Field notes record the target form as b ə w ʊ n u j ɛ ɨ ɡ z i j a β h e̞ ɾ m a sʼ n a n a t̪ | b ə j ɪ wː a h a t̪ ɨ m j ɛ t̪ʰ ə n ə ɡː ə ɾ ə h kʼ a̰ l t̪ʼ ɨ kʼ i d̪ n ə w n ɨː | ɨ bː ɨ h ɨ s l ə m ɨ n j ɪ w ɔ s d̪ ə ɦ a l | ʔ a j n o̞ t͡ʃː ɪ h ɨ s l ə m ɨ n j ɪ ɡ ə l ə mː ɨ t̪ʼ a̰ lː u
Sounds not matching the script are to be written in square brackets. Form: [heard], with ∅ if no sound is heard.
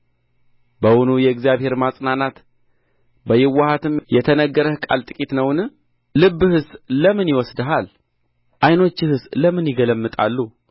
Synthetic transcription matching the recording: b ə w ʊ n u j ɛ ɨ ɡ z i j a β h e̞ ɾ m a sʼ n a n a t̪ | b ə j ɪ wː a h a t̪ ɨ m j ɛ t̪ʰ ə n ə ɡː ə ɾ ə h kʼ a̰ l t̪ʼ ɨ kʼ i [t̪] n ə w n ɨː | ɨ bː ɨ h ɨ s l ə m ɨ n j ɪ w ɔ s d̪ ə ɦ a l | ʔ a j n o̞ t͡ʃː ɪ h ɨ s l ə m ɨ n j ɪ ɡ ə l ə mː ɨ t̪ʼ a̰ lː u